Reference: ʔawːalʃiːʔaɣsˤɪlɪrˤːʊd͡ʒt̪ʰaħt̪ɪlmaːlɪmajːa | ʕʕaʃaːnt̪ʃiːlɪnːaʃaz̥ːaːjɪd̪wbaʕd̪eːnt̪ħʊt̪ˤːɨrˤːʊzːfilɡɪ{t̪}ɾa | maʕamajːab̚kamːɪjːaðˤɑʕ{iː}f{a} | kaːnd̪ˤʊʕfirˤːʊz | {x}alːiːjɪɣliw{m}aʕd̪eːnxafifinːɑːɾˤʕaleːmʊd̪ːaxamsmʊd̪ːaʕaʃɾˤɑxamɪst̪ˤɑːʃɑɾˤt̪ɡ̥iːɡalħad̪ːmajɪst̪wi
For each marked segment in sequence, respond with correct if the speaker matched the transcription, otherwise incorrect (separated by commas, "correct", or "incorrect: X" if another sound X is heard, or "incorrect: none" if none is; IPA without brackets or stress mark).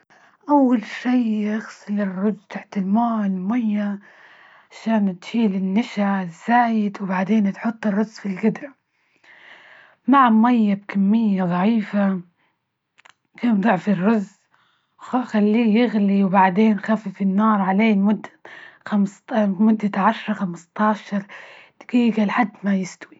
incorrect: d̪, correct, correct, correct, incorrect: b